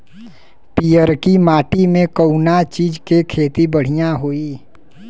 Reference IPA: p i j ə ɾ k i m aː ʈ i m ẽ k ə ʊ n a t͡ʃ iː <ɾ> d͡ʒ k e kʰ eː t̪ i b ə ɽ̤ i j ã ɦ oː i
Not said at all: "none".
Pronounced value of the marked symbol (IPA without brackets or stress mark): none